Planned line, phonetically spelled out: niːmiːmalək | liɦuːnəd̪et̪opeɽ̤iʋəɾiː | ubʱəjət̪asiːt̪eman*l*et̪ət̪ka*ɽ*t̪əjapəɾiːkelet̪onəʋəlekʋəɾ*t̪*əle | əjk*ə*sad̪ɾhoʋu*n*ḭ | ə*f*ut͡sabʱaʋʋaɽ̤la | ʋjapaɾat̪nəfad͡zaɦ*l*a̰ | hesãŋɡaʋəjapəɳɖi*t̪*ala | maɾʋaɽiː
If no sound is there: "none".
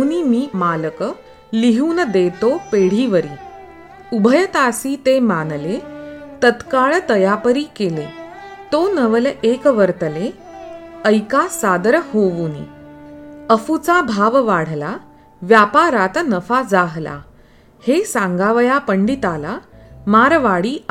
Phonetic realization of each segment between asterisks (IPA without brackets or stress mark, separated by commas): l, ɭ, t̪, a, n, f, l, t̪